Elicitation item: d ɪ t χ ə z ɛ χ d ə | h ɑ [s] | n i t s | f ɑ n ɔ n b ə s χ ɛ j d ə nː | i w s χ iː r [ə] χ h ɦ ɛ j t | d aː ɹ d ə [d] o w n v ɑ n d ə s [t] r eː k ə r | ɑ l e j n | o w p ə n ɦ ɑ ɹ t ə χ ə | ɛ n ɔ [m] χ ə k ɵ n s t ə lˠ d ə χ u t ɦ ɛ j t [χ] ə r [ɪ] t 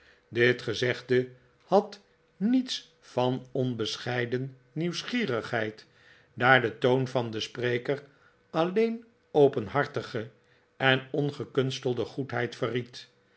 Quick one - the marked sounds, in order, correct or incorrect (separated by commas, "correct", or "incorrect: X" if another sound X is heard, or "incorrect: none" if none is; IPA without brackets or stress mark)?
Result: incorrect: t, correct, incorrect: t, incorrect: p, incorrect: n, incorrect: f, incorrect: i